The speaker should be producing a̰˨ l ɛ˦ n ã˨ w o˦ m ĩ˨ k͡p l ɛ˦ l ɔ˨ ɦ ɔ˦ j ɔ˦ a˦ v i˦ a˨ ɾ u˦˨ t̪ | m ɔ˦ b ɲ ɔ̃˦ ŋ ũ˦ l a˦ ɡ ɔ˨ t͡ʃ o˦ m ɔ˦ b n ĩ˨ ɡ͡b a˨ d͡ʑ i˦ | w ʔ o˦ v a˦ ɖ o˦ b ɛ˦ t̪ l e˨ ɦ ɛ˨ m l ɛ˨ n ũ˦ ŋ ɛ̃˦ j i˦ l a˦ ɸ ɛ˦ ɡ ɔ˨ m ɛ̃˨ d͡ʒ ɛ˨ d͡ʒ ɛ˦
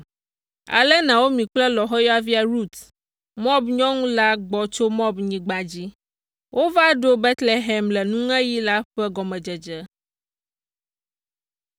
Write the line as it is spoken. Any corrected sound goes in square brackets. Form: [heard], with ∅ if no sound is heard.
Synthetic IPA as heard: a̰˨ l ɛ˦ n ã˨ w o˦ m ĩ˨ k͡p l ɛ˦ l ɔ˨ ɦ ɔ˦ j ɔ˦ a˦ v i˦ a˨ ɾ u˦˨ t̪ | m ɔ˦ b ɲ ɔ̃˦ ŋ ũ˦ l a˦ [ɡ͡b] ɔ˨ t͡ʃ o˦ m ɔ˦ b [ɲ] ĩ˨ ɡ͡b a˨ d͡ʑ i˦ | w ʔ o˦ v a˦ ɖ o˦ b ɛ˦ t̪ l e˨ ɦ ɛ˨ m l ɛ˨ n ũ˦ ŋ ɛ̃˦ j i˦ l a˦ ɸ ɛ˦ ɡ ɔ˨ m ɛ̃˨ d͡ʒ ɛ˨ d͡ʒ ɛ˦